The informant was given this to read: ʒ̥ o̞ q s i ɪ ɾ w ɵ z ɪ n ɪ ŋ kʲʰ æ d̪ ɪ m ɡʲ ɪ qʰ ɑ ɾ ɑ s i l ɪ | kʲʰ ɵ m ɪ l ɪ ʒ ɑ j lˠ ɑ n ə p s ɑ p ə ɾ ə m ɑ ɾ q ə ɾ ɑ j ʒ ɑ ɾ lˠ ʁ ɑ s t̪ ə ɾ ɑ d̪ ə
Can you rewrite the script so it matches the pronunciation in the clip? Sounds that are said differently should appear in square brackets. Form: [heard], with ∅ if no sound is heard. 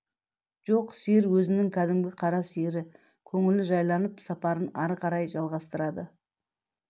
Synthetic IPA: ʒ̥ o̞ q s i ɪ ɾ w ɵ z ɪ n ɪ ŋ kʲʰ æ d̪ ɪ m ɡʲ ɪ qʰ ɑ ɾ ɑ s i [ɾ] ɪ | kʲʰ ɵ [ŋ] ɪ l ɪ ʒ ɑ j lˠ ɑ n ə p s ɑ p [ɑ] ɾ ə [n] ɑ ɾ q [ɑ] ɾ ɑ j ʒ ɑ [∅] lˠ ʁ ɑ s t̪ ə ɾ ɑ d̪ ə

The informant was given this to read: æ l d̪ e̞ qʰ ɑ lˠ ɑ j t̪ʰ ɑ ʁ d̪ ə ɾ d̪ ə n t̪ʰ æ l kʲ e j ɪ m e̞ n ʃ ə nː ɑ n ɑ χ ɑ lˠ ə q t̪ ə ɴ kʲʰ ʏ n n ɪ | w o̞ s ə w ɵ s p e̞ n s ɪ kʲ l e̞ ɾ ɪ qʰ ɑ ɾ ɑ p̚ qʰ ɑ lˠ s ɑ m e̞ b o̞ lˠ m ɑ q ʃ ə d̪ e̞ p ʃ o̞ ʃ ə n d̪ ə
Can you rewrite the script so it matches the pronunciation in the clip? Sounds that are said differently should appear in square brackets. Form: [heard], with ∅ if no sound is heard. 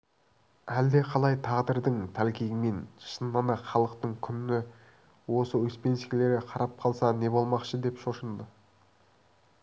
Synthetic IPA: æ l d̪ e̞ qʰ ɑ lˠ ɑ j t̪ʰ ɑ ʁ d̪ ə ɾ d̪ ə [ɴ] t̪ʰ æ l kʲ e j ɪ m e̞ n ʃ ə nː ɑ n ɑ χ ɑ lˠ ə q t̪ ə ɴ kʲʰ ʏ n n ɪ | w o̞ s ə w ɵ s p e̞ n s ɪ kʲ l e̞ ɾ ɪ qʰ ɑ ɾ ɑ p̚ qʰ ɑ lˠ s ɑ [n] e̞ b o̞ lˠ m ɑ q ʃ ə d̪ e̞ p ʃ o̞ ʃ ə n d̪ ə

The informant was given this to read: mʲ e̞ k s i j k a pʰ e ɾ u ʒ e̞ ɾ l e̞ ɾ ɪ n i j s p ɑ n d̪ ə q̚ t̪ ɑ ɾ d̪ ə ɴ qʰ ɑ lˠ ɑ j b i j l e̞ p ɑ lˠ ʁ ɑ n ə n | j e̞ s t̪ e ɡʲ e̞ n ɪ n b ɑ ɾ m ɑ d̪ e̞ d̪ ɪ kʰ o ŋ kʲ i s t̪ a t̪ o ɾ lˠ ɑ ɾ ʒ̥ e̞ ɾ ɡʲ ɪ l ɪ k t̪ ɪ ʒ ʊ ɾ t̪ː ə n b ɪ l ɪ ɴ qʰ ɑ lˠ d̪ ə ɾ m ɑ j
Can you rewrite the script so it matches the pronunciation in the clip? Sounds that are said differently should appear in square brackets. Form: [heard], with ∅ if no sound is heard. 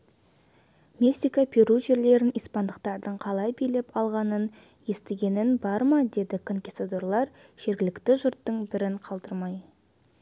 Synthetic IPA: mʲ e̞ k s i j k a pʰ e ɾ u ʒ e̞ ɾ l e̞ ɾ ɪ n i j s p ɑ n d̪ ə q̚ t̪ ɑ ɾ d̪ ə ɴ qʰ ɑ lˠ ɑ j b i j l e̞ p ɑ lˠ ʁ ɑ n ə n | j e̞ s t̪ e ɡʲ e̞ n ɪ n b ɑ ɾ m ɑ d̪ e̞ d̪ ɪ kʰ o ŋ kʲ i s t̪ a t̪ o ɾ lˠ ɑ ɾ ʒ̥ e̞ ɾ ɡʲ ɪ l ɪ k t̪ ɪ ʒ ʊ ɾ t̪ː ə [ɴ] b ɪ [ɾ] ɪ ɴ qʰ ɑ lˠ d̪ ə ɾ m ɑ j

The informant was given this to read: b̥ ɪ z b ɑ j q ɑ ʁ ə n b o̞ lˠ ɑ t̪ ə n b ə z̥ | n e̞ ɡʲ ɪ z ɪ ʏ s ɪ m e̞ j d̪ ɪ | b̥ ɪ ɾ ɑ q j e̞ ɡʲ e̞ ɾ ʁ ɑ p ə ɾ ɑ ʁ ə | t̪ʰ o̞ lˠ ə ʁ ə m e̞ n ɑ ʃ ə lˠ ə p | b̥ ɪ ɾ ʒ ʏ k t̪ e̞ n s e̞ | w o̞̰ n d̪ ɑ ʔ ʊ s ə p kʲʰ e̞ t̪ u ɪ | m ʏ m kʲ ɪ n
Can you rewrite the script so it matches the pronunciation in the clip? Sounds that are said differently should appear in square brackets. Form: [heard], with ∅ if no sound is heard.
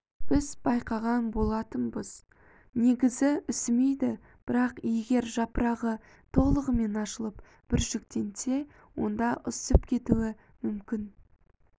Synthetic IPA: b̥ ɪ z b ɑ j q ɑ ʁ [ɑ] n b o̞ lˠ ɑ t̪ ə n b ə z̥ | n e̞ ɡʲ ɪ z ɪ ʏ s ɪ m e̞ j d̪ ɪ | b̥ ɪ ɾ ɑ q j e̞ ɡʲ e̞ ɾ [ʒ] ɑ p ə ɾ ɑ ʁ ə | t̪ʰ o̞ lˠ ə ʁ ə m e̞ n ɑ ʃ ə lˠ ə p | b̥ ɪ ɾ ʒ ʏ k t̪ e̞ n s e̞ | w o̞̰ n d̪ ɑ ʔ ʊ s ə p kʲʰ e̞ t̪ u ɪ | m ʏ m kʲ ɪ n

